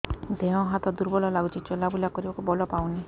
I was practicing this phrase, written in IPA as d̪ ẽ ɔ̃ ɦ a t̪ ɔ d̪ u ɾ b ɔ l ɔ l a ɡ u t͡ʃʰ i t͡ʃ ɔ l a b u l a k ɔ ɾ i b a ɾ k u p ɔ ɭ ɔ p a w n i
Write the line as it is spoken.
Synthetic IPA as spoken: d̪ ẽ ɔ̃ ɦ a t̪ ɔ d̪ u ɾ b ɔ l ɔ l a ɡ u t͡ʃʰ i t͡ʃ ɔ l a b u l a k ɔ ɾ i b a k u b ɔ l ɔ p a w n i